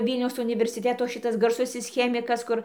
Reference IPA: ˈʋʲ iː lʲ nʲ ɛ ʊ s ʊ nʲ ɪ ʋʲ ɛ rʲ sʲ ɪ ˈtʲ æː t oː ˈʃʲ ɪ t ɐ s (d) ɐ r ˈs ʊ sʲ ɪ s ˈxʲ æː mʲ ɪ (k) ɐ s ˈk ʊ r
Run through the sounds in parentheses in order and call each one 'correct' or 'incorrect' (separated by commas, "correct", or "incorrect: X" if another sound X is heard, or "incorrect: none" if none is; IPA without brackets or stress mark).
incorrect: ɡ, correct